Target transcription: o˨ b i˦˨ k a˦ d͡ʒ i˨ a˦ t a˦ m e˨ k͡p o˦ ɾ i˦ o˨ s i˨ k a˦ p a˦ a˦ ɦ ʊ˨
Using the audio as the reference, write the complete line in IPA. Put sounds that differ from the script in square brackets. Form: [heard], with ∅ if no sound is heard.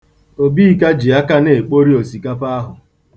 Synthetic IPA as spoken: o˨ b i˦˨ k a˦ d͡ʒ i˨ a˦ [k] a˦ [n] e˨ k͡p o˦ ɾ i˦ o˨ s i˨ k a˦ p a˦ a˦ ɦ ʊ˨